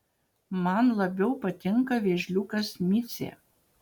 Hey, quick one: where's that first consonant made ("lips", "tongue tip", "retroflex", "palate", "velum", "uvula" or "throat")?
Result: lips